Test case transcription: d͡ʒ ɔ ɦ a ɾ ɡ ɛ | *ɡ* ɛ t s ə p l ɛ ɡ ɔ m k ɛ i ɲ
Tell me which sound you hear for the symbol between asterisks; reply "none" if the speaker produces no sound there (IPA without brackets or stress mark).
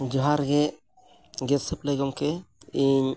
ɡ